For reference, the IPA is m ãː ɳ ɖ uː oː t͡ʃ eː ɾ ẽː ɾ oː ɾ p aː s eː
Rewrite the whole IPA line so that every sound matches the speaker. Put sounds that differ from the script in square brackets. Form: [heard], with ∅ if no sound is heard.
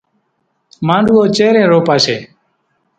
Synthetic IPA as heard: m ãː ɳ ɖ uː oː t͡ʃ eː ɾ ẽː ɾ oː [∅] p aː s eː